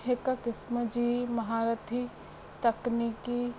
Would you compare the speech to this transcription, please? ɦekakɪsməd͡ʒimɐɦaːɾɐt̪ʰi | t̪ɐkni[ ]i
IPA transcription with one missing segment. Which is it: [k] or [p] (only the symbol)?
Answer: k